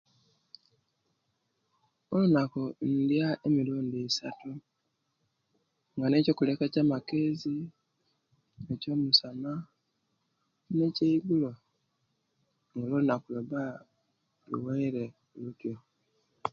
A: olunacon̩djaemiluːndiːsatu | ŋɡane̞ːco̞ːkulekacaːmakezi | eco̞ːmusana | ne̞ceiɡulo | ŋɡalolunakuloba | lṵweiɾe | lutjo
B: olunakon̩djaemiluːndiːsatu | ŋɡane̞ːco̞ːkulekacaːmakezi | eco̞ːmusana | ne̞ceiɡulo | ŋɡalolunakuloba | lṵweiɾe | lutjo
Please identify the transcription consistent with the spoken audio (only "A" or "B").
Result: B